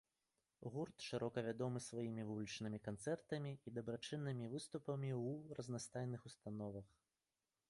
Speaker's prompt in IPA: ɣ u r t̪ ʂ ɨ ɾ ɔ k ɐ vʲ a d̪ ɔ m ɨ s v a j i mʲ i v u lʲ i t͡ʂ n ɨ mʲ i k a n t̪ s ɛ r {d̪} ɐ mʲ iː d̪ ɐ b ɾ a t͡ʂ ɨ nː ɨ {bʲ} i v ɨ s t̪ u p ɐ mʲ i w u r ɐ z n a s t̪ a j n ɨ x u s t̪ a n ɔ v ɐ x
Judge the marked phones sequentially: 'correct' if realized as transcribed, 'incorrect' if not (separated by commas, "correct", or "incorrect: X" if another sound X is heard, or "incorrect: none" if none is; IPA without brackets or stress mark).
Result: incorrect: t̪, incorrect: mʲ